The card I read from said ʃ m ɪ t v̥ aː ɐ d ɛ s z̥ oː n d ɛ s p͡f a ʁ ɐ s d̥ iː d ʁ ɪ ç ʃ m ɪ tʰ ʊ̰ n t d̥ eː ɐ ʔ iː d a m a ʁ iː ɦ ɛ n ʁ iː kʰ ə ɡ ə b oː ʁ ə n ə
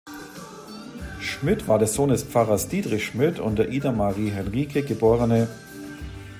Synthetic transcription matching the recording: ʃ m ɪ t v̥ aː ɐ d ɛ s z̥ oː n d ɛ s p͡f a ʁ ɐ s d̥ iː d ʁ ɪ ç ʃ m ɪ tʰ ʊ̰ n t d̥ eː ɐ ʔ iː d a m a ʁ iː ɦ ɛ n ʁ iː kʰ ə ɡ ə b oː ʁ ə n ə